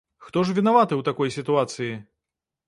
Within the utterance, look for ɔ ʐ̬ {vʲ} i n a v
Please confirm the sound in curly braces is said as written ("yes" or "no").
yes